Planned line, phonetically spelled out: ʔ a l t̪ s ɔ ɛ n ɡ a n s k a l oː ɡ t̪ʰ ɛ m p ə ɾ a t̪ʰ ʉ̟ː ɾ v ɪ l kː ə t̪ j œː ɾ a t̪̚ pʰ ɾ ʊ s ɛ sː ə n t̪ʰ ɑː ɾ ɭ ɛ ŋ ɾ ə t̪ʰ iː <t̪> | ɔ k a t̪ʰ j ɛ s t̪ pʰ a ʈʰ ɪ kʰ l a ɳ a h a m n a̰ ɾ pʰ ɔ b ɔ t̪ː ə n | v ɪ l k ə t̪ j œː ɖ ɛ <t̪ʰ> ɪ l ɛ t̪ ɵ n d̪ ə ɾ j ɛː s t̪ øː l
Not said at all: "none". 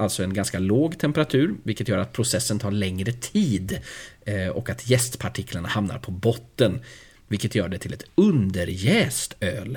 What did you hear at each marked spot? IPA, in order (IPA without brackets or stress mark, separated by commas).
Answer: d̪, t̪ʰ